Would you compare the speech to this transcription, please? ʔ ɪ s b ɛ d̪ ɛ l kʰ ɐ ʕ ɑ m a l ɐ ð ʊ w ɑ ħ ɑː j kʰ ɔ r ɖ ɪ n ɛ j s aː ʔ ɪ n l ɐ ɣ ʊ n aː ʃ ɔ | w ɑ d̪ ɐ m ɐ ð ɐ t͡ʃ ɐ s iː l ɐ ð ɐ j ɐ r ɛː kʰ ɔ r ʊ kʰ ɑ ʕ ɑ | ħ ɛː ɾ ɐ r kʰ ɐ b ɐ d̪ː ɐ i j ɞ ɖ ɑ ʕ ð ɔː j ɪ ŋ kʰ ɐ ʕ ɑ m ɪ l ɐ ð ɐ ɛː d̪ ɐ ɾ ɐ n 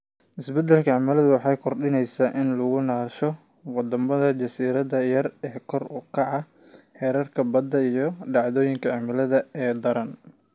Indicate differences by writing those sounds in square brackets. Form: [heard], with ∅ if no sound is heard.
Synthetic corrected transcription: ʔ ɪ s b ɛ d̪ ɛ l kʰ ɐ ʕ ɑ m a l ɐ ð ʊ w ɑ ħ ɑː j kʰ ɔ r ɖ ɪ n ɛ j s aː ʔ ɪ n l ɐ ɣ ʊ n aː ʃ ɔ | w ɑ d̪ ɐ m ɐ ð ɐ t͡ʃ ɐ s iː [ɾ] ɐ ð ɐ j ɐ r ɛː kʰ ɔ r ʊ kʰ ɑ ʕ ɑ | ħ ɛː ɾ ɐ r kʰ ɐ b ɐ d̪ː ɐ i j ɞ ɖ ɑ ʕ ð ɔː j ɪ ŋ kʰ ɐ ʕ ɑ m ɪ l ɐ ð ɐ ɛː d̪ ɐ ɾ ɐ n